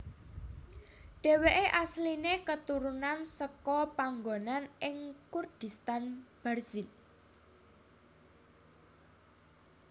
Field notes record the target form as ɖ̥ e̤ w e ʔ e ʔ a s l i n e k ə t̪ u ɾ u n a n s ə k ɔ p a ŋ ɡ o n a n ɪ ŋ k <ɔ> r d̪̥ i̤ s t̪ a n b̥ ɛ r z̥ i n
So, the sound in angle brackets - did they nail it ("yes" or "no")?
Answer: no